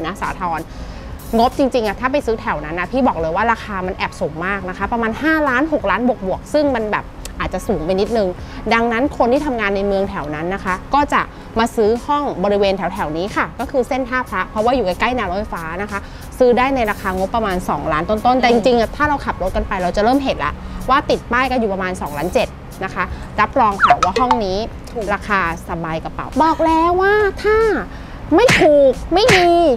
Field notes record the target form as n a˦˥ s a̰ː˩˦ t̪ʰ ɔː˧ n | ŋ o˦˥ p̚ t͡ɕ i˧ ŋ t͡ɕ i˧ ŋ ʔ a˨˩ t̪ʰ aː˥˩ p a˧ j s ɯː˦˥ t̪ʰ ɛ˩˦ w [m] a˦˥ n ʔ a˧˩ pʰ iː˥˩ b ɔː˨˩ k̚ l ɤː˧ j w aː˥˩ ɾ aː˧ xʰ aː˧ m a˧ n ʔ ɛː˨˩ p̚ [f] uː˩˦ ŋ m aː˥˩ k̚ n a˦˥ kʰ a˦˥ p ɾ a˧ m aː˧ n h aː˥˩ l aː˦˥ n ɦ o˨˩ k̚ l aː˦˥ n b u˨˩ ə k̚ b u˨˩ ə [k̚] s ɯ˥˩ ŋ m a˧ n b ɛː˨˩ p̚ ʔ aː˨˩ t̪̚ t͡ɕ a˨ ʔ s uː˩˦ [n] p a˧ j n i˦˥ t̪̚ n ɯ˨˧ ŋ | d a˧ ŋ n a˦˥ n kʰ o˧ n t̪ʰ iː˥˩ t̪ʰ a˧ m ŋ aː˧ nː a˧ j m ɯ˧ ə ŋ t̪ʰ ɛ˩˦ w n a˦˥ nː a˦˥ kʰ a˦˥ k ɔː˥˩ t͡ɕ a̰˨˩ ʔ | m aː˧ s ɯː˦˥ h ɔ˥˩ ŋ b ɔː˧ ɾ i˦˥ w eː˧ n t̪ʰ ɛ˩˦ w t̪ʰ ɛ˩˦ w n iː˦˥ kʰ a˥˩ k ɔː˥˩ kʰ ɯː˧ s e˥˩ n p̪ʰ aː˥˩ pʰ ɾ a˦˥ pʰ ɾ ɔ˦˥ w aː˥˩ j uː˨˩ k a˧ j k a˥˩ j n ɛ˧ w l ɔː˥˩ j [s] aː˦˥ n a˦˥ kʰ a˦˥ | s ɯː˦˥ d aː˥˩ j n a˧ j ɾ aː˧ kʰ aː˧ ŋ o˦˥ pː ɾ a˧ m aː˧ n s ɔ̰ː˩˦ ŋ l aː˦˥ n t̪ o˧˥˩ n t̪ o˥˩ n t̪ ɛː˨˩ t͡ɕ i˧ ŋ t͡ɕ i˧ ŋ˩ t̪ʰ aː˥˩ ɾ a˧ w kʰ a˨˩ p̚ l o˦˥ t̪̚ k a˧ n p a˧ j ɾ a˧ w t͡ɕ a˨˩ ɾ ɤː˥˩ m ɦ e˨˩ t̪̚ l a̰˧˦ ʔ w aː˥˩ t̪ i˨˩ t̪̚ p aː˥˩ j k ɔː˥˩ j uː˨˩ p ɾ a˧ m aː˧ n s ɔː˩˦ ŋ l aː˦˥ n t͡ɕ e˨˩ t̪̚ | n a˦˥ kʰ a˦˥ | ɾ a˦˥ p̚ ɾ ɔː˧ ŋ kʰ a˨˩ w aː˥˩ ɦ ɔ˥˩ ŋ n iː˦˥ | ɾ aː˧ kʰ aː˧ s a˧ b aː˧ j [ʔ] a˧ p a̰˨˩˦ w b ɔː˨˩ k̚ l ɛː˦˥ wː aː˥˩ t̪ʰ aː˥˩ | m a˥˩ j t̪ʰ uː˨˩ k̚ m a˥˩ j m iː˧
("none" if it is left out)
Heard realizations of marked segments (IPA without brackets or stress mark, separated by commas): n, s, k̚, ŋ, f, k